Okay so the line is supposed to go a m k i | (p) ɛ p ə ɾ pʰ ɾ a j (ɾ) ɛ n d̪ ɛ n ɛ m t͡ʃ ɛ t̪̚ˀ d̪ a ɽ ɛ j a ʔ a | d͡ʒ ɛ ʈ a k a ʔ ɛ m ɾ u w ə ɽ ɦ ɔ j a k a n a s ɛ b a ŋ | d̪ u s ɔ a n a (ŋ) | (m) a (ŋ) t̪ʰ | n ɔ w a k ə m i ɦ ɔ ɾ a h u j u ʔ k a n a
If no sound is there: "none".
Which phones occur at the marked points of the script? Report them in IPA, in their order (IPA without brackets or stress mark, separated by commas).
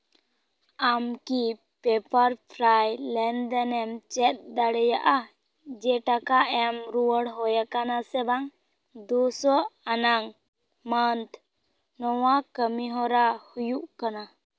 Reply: p, l, ŋ, m, n